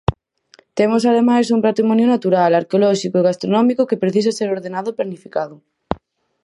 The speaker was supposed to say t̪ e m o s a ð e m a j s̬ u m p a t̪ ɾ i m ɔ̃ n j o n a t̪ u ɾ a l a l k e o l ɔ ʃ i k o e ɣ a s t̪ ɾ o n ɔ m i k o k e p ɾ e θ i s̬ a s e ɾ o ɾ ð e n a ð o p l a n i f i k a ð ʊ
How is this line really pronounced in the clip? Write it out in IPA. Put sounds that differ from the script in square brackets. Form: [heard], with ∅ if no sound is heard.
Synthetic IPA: t̪ e m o s a ð e m a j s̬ u m p a t̪ ɾ i m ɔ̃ n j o n a t̪ u ɾ a l a [ɾ] k e o l ɔ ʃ i k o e ɣ a s t̪ ɾ o n ɔ m i k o k e p ɾ e θ i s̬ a s e ɾ o ɾ ð e n a ð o p l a n i f i k a ð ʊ